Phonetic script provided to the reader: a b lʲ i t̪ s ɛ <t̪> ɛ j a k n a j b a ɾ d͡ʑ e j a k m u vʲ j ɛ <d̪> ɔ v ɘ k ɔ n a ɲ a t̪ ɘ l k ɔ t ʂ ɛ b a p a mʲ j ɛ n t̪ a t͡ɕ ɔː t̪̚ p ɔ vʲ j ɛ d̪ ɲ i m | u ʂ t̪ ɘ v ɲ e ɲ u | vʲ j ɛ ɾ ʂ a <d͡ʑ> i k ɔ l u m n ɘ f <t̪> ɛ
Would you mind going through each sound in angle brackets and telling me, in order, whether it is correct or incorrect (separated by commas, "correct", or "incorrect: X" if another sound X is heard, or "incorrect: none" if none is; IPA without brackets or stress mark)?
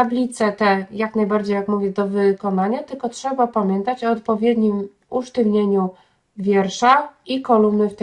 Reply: correct, correct, incorrect: none, correct